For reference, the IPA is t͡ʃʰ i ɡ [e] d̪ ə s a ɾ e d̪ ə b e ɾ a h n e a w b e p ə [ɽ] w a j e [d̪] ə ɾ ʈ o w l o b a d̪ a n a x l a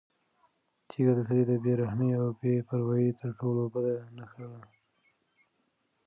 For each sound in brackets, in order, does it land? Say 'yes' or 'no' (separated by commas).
no, no, no